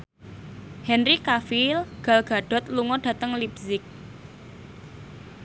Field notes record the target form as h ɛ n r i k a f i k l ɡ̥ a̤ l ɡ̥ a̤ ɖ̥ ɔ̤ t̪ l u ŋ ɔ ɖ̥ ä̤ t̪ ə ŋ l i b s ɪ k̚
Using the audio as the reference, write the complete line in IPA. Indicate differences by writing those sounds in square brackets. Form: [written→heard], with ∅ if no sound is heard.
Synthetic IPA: h ɛ n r i k a f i [k→∅] l ɡ̥ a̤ l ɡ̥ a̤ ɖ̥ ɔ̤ t̪ l u ŋ ɔ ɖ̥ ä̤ t̪ ə ŋ l i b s ɪ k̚